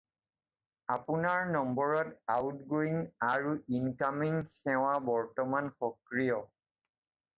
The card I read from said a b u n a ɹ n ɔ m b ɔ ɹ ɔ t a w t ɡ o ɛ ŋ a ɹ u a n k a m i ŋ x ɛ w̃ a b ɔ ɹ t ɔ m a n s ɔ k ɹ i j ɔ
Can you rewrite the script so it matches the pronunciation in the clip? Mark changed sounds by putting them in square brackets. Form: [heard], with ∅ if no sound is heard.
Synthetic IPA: a [p] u n a ɹ n ɔ m b ɔ ɹ ɔ t a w t ɡ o [i] ŋ a ɹ u [i] n k a m i ŋ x ɛ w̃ a b ɔ ɹ t ɔ m a n [x] ɔ k ɹ i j ɔ

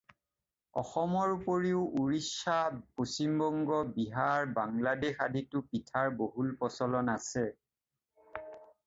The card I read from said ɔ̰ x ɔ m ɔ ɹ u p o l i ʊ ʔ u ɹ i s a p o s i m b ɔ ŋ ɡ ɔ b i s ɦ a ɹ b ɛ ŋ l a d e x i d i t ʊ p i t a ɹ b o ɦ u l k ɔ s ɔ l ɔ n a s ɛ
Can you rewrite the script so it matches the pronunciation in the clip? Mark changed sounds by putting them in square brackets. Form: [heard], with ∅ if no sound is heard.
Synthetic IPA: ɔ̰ x ɔ m ɔ ɹ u p o [ɹ] i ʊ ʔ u ɹ i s a p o s i m b ɔ ŋ ɡ ɔ b i [∅] ɦ a ɹ b [a] ŋ l a d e x [a] d i t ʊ p i [tʰ] a ɹ b o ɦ u l [p] ɔ s ɔ l ɔ n a s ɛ

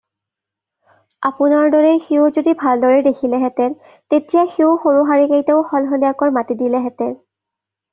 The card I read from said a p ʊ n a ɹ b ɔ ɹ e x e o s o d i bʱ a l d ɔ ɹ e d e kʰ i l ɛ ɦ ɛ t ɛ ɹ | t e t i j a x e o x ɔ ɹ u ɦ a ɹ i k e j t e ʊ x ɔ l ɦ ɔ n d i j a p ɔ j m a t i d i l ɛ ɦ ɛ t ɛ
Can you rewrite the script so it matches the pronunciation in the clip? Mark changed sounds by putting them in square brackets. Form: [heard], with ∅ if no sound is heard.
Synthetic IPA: a p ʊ n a ɹ [d] ɔ ɹ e x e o [z] o d i bʱ a l d ɔ ɹ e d e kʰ i l ɛ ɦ ɛ t ɛ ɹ | t e t i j a x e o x [o] ɹ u ɦ a ɹ i k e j t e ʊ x ɔ l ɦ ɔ n d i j a [k] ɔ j m a t i d i l ɛ ɦ ɛ t ɛ

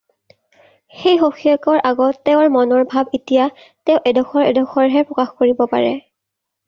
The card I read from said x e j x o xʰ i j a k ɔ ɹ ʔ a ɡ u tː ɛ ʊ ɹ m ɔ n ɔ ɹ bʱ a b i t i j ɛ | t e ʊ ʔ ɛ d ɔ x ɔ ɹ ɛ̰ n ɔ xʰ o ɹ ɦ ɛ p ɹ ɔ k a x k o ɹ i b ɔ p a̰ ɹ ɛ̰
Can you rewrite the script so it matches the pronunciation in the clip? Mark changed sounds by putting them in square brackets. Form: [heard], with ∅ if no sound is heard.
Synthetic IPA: x e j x o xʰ i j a k ɔ ɹ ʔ a ɡ [ɔ] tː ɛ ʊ ɹ m ɔ n ɔ ɹ bʱ a b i t i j [a] | t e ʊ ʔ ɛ d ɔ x ɔ ɹ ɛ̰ [d] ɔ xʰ [ɔ] ɹ ɦ ɛ p ɹ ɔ k a x k o ɹ i b ɔ p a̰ ɹ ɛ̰

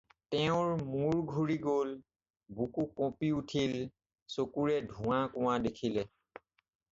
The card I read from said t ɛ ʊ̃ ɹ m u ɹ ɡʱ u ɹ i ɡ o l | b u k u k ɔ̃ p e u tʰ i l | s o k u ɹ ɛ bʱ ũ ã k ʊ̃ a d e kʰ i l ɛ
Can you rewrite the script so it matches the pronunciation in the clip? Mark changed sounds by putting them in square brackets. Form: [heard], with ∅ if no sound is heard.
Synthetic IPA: t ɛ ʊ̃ ɹ m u ɹ ɡʱ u ɹ i ɡ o l | b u k u k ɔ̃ p [i] u tʰ i l | s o k u ɹ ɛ [dʱ] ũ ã k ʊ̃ a d e kʰ i l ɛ

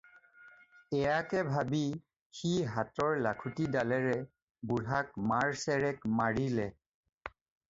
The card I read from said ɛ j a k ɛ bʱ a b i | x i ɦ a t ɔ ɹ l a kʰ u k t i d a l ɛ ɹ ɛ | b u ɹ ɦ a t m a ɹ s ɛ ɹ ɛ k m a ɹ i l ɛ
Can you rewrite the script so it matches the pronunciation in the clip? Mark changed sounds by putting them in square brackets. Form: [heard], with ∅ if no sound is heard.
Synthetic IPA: ɛ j a k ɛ bʱ a b i | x i ɦ a t ɔ ɹ l a kʰ u [∅] t i d a l ɛ ɹ ɛ | b u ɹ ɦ a [k] m a ɹ s ɛ ɹ ɛ k m a ɹ i l ɛ

